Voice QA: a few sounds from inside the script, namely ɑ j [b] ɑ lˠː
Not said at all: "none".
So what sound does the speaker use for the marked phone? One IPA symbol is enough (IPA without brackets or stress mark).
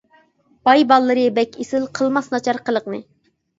b